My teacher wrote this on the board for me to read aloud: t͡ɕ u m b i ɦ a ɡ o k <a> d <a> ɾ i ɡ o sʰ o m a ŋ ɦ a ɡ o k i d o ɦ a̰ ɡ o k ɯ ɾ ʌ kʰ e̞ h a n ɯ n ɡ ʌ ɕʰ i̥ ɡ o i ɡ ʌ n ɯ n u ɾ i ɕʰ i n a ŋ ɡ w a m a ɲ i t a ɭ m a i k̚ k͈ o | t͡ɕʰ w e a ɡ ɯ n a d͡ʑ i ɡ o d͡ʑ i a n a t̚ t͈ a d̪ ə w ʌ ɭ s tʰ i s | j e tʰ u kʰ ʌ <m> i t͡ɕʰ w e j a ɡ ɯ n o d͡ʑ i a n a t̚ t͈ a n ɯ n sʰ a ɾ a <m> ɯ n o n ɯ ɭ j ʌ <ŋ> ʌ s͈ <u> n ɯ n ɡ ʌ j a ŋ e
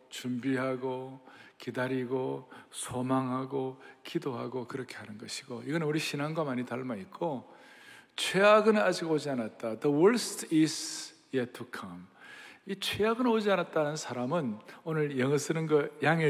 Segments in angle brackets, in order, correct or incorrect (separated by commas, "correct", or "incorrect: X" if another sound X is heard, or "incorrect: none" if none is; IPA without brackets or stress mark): incorrect: i, correct, correct, correct, correct, incorrect: ɯ